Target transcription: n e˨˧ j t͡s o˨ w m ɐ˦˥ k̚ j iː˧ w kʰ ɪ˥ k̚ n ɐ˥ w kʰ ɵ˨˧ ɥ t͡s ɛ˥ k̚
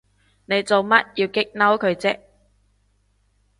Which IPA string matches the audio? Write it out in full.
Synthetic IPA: n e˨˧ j t͡s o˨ w m ɐ˦˥ t̚ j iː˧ w k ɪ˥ k̚ n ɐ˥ w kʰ ɵ˨˧ ɥ t͡s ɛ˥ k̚